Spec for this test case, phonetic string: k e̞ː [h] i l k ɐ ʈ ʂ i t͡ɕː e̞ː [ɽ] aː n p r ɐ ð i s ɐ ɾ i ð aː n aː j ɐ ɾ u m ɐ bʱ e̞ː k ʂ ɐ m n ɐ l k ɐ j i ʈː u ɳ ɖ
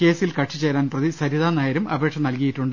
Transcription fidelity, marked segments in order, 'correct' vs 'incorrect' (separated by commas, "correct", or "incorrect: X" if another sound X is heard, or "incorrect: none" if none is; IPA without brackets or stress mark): incorrect: s, incorrect: ɾ